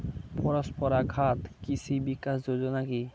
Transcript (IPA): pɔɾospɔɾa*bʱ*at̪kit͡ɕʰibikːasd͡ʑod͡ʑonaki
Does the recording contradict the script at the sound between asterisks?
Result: yes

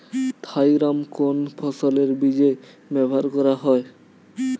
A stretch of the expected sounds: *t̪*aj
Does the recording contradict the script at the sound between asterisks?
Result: yes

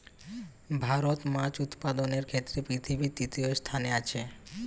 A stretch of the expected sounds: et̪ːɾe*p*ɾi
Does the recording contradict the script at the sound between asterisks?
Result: no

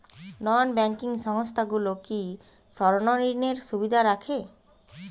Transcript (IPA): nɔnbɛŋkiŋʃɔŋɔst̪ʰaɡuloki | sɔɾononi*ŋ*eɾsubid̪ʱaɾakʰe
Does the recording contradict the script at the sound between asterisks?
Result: yes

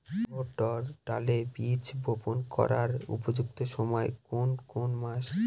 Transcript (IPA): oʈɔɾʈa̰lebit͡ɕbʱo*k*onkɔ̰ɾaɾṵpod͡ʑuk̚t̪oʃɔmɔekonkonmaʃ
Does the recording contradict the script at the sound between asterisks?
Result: yes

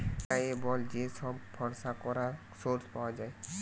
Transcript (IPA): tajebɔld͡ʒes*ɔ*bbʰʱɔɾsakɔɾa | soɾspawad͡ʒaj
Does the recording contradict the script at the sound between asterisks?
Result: no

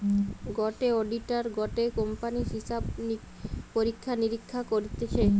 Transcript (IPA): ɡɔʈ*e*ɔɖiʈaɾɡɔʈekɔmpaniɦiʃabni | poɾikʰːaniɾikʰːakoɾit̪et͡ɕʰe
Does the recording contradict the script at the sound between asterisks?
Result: no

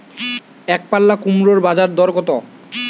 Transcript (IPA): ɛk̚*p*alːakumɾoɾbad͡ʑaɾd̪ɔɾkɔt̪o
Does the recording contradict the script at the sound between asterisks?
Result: no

